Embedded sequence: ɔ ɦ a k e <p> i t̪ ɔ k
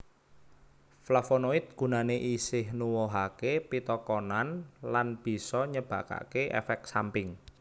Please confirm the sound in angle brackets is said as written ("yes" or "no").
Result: yes